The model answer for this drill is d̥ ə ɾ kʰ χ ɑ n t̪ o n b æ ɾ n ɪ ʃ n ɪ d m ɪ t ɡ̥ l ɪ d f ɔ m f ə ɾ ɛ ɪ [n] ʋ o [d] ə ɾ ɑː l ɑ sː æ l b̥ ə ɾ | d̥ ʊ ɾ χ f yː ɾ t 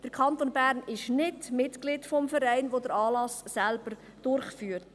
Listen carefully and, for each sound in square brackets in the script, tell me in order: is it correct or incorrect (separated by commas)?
correct, correct